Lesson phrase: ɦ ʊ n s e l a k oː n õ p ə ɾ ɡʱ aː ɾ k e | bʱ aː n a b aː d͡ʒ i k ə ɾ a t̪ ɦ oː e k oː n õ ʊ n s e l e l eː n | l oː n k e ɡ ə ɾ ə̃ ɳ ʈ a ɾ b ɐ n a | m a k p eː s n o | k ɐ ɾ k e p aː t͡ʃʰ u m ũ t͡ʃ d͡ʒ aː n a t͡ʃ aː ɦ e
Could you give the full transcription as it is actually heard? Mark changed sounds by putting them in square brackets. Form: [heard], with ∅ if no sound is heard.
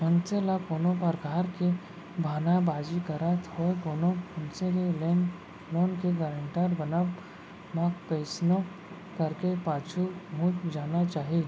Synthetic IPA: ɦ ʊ n s e l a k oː n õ p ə ɾ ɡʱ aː ɾ k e | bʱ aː n a b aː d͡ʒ i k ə ɾ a t̪ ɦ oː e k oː n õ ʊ n s e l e l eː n | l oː n k e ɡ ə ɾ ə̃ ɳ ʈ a ɾ b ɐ n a | m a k p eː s n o | k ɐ ɾ k e p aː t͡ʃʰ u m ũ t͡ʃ d͡ʒ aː n a t͡ʃ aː ɦ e